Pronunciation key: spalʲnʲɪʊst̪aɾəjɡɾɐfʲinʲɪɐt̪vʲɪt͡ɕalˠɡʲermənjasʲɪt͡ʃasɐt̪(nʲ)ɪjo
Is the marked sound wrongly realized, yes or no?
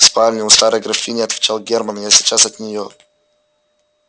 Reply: no